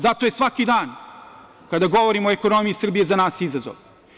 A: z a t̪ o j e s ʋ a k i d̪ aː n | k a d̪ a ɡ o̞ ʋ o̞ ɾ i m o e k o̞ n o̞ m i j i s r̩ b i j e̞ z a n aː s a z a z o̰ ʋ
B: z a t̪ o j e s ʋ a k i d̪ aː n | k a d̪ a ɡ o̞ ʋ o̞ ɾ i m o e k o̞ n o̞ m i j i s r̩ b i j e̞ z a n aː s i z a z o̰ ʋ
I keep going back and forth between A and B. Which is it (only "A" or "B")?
B